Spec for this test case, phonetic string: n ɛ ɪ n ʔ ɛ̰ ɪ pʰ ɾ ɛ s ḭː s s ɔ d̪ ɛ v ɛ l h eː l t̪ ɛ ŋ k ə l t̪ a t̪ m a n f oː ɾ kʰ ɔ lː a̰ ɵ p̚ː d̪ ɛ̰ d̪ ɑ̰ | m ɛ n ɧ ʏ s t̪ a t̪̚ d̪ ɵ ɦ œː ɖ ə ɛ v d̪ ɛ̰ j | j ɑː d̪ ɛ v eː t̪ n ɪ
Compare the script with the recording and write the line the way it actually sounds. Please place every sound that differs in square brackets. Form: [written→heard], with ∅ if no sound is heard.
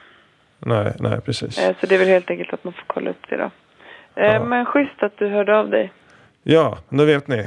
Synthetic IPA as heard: n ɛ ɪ n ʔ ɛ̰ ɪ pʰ ɾ ɛ s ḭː s s ɔ d̪ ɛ v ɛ l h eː l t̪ ɛ ŋ k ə l t̪ a t̪ m a n f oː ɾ kʰ ɔ lː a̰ ɵ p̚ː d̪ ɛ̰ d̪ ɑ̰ | m ɛ n ɧ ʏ s t̪ a t̪̚ d̪ ɵ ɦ œː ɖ ə [ɛ→a] v d̪ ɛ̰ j | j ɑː d̪ ɛ v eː t̪ n ɪ